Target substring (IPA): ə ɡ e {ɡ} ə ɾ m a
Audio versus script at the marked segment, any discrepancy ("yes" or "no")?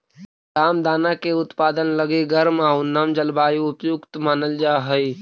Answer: no